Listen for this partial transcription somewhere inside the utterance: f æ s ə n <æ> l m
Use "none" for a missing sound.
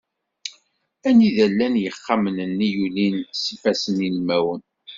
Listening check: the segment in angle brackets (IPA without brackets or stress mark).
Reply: i